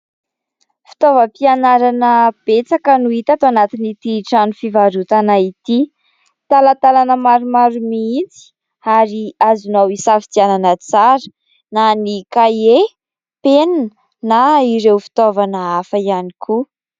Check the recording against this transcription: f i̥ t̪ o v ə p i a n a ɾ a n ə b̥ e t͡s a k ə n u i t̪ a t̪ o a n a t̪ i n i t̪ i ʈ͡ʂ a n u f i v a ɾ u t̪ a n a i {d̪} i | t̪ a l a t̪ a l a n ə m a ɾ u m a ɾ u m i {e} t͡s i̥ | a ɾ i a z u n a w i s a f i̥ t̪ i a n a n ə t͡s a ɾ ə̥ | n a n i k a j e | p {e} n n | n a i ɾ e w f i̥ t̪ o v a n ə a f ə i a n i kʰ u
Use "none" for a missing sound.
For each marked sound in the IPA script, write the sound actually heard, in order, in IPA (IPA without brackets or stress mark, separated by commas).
t̪, i, e